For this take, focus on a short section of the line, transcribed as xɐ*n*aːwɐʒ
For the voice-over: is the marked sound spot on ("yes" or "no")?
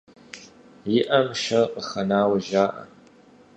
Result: yes